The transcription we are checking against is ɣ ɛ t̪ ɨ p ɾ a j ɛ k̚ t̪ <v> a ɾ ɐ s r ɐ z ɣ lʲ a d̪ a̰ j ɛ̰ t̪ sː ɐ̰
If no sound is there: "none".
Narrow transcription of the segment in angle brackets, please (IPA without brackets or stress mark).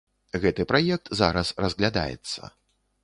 z